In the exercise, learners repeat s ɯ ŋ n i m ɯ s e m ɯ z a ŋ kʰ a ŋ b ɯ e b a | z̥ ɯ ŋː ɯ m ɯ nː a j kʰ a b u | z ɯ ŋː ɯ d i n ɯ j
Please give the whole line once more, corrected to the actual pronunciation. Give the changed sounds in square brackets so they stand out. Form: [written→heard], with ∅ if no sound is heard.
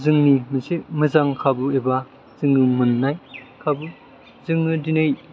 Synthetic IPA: [s→z] ɯ ŋ n i m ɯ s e m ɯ z a ŋ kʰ a [ŋ→∅] b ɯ e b a | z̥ ɯ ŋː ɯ m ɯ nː a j kʰ a b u | z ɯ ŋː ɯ d i n ɯ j

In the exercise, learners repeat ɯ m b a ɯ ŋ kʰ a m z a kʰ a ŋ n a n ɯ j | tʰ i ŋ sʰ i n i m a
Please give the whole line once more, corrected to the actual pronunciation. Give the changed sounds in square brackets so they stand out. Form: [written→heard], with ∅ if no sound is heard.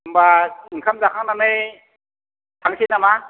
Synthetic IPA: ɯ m b a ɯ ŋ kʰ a m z a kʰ a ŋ n a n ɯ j | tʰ [i→a] ŋ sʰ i n [i→a] m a

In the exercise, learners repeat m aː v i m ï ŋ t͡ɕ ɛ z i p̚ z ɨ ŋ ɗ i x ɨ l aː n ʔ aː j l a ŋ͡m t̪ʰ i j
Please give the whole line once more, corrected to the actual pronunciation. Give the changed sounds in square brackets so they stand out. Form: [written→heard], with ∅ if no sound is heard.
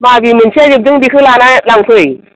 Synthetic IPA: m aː v i m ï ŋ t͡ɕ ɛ z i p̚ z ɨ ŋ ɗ i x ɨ l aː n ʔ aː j l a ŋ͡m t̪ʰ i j

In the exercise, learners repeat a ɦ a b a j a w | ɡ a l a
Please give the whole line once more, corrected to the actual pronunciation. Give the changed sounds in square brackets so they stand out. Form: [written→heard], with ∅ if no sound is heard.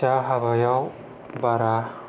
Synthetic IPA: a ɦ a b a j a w | [ɡ→b] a [l→ɾ] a

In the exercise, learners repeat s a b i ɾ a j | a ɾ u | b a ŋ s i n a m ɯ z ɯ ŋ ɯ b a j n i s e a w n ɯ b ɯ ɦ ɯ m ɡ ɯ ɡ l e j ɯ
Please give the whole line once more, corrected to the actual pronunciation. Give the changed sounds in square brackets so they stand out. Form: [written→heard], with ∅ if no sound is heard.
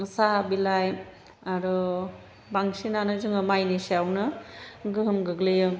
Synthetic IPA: s a b i [ɾ→l] a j | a ɾ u | b a ŋ s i n a [m→n] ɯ z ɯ ŋ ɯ [b→m] a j n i s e a w n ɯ [b→ɡ] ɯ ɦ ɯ m ɡ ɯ ɡ l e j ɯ

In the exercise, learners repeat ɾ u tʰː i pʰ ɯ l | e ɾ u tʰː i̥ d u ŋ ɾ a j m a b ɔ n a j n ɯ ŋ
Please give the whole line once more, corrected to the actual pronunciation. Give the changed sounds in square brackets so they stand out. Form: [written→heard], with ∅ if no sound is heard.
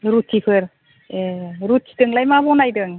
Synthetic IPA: ɾ u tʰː i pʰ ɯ [l→ɾ] | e ɾ u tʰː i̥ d [u→ɯ] ŋ [ɾ→l] a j m a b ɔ n a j [n→d] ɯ ŋ

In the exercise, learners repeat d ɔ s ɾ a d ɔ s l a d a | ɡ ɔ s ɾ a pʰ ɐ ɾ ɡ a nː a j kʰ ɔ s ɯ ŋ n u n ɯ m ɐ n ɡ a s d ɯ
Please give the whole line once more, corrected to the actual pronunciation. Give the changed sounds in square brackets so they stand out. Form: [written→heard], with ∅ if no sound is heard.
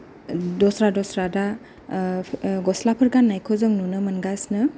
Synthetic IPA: d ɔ s ɾ a d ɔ s [l→ɾ] a d a | ɡ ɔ s [ɾ→l] a pʰ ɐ ɾ ɡ a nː a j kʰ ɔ [s→z] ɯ ŋ n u n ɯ m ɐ n ɡ a s [d→n] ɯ

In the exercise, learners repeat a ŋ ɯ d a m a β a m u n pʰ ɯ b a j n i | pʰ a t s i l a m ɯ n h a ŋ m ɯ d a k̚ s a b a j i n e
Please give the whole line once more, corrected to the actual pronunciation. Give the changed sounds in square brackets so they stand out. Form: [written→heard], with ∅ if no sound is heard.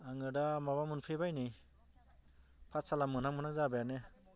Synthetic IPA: a ŋ ɯ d a m a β a m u n pʰ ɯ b a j n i | pʰ a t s [i→a] l a m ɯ n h a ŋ m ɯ [d→n] a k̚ [s→z] a b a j [i→a] n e

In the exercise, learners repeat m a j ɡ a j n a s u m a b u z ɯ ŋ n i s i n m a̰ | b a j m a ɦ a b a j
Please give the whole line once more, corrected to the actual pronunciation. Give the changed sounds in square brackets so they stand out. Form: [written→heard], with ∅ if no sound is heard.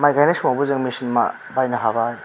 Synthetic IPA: m a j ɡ a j n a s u m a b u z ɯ ŋ [n→m] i s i n m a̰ | b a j [m→n] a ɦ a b a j

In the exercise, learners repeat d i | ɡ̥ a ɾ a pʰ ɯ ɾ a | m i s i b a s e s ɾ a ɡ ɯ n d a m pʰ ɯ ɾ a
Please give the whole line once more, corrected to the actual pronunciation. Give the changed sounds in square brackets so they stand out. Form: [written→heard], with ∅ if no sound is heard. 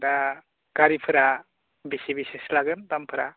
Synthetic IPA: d [i→a] | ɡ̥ a ɾ [a→i] pʰ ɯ ɾ a | [m→b] i s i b [a→i] s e s [ɾ→l] a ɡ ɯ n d a m pʰ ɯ ɾ a

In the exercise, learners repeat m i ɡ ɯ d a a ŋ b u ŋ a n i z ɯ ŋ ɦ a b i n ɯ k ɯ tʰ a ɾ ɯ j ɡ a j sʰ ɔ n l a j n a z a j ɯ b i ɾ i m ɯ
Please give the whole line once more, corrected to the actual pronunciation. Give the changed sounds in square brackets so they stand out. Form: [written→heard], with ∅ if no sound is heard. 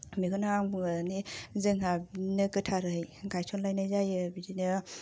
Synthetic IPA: m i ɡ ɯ [d→n] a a ŋ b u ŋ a n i z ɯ ŋ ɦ a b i n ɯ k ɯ tʰ a ɾ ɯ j ɡ a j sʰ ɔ n l a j n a z a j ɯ b i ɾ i [m→n] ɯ

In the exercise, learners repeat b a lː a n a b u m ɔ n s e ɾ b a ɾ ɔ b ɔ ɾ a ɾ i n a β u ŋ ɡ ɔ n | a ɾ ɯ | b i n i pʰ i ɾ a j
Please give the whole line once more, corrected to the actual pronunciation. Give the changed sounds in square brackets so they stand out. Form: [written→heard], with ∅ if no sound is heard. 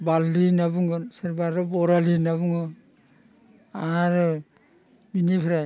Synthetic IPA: b a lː [a→i] n a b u [m→ŋ] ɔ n s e ɾ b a ɾ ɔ b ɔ ɾ a [ɾ→l] i n a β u ŋ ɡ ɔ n | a ɾ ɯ | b i n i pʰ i ɾ a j

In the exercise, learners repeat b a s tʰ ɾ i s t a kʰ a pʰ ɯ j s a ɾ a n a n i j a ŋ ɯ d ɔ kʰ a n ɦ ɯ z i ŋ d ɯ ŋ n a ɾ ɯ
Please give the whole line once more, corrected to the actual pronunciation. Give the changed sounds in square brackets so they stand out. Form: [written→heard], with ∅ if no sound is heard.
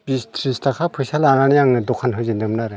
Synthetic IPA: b [a→i] s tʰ ɾ i s t a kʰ a pʰ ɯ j s a [ɾ→l] a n a n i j a ŋ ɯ d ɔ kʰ a n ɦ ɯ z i [ŋ→n] d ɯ [ŋ→m] n a ɾ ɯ

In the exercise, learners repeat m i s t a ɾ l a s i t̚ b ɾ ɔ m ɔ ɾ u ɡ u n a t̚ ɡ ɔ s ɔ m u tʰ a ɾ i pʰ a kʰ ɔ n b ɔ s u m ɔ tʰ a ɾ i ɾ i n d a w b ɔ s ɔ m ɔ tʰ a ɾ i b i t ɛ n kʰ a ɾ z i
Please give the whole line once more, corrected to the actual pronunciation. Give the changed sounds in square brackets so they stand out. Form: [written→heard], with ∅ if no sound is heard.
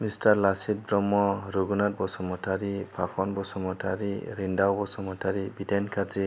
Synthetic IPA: m i s t a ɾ l a s i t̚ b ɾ ɔ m ɔ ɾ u ɡ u n a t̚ [ɡ→b] ɔ s ɔ m [u→ɔ] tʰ a ɾ i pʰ a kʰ ɔ n b ɔ s [u→ɔ] m ɔ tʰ a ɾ i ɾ i n d a w b ɔ s ɔ m ɔ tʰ a ɾ i b i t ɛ n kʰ a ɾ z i

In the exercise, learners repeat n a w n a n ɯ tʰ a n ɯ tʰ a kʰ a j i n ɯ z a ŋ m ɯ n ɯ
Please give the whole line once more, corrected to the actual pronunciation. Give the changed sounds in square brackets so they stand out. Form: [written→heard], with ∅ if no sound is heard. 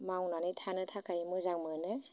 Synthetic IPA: [n→m] a w n a n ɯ tʰ a n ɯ tʰ a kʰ a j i [n→m] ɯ z a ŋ m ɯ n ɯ

